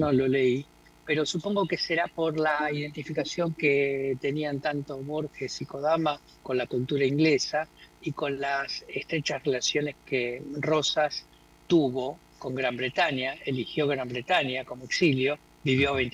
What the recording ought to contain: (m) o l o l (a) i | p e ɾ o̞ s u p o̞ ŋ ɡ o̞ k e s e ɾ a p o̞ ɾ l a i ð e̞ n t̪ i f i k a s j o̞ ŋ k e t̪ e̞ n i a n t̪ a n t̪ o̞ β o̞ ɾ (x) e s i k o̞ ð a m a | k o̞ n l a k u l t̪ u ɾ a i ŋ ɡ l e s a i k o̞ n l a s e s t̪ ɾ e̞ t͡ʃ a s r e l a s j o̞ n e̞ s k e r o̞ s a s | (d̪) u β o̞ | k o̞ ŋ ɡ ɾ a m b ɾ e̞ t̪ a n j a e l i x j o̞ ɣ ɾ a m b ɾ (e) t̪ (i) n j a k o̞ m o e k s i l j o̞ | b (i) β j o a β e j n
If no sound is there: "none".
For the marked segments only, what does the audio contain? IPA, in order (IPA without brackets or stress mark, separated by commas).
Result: n, e, x, t̪, e, a, i